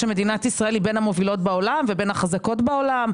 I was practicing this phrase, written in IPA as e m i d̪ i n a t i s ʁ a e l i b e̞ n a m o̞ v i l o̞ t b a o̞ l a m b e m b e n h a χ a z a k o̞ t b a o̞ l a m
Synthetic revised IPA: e m e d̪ i n a t i s ʁ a e l i b e̞ n a m o̞ v i l o̞ t b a o̞ l a m v e b e n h a χ a z a k o̞ t b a o̞ l a m